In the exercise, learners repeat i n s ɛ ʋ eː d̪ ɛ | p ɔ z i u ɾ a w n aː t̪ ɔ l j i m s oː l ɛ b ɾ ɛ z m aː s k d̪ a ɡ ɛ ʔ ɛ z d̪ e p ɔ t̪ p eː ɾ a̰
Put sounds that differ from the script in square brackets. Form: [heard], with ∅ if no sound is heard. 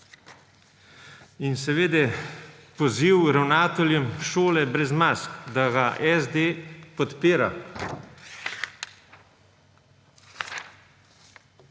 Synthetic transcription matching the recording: i n s ɛ ʋ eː d̪ ɛ | p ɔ z i [w] ɾ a w n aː t̪ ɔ l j [ɛ] m [ʃ] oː l ɛ b ɾ ɛ z m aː s k d̪ a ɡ [a] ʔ ɛ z d̪ e p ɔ t̪ p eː ɾ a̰